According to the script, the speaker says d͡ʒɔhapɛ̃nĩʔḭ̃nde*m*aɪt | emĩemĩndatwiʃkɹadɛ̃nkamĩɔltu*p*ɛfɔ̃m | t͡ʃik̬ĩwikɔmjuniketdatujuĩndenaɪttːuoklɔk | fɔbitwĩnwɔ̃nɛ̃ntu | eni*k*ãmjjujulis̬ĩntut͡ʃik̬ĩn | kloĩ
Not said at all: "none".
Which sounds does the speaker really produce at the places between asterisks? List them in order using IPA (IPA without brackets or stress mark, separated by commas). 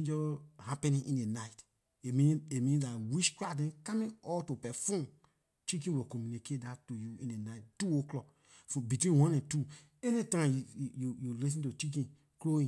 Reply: n, p, t